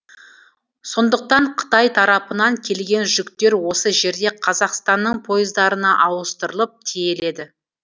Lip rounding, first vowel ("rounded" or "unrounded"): rounded